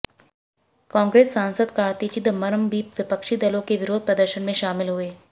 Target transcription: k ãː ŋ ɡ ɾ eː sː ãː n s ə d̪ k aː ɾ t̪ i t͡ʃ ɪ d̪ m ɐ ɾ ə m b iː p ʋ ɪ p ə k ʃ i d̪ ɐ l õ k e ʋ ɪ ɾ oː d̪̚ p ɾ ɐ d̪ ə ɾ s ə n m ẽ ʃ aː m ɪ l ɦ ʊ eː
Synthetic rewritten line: k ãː ŋ ɡ ɾ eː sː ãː n s ə d̪ k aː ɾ t̪ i t͡ʃ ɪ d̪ m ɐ ɾ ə m b iː p ʋ ɪ p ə k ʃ i d̪ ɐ l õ k e ʋ ɪ ɾ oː d̪̚ p ɾ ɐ d̪ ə ɾ ʃ ə n m ẽ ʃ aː m ɪ l ɦ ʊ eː